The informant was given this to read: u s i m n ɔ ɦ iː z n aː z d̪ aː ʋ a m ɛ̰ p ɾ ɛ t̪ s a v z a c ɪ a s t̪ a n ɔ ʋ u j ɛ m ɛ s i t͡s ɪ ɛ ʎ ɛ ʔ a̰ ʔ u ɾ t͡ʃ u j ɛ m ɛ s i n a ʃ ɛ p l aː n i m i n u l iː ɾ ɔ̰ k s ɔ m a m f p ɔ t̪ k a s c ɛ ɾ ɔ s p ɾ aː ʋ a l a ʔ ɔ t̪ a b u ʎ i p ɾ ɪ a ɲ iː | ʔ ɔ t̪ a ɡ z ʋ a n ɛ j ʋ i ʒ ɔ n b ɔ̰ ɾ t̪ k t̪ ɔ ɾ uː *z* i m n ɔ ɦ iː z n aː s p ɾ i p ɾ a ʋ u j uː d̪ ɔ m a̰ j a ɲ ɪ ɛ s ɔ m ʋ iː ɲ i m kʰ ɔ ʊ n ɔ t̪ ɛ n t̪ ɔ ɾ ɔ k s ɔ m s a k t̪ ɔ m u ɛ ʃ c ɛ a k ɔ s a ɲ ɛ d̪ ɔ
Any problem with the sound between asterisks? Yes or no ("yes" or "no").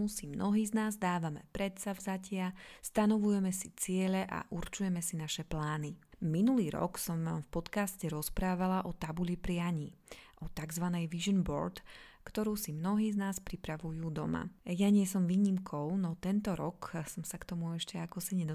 yes